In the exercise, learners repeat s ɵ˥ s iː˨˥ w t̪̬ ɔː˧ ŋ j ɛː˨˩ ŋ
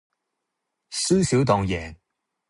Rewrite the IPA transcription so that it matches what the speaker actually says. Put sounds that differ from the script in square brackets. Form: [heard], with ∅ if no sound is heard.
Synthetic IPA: s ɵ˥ s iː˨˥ w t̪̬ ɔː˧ ŋ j ɛː˨˩ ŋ